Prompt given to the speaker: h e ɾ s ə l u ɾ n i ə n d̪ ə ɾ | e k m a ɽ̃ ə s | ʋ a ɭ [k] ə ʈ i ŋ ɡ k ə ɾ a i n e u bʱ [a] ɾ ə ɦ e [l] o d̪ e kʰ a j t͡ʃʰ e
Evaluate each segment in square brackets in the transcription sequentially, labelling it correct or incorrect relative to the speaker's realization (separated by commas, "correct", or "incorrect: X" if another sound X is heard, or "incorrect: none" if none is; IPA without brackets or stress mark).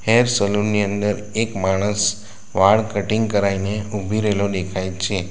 correct, incorrect: i, correct